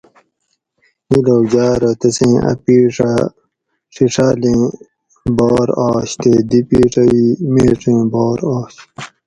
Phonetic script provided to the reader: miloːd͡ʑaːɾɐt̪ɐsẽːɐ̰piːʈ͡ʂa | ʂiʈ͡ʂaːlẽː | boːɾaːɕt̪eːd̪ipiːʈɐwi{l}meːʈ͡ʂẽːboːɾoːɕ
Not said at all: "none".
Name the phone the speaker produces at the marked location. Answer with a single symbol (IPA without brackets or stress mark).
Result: none